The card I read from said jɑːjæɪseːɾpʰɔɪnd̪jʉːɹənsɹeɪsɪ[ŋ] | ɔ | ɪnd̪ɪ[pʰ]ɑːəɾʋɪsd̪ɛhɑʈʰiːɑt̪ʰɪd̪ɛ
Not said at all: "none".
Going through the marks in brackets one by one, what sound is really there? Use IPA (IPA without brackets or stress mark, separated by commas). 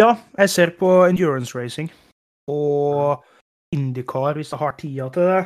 ŋ, kʰ